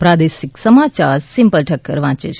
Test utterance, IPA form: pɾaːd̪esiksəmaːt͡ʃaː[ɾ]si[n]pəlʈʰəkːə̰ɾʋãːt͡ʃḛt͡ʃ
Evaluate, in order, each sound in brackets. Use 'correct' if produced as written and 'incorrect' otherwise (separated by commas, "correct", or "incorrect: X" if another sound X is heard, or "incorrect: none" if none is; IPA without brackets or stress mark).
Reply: correct, incorrect: m